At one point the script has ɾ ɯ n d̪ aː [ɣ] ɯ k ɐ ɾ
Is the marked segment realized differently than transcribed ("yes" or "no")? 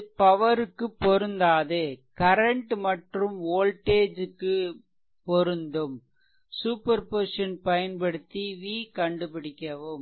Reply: yes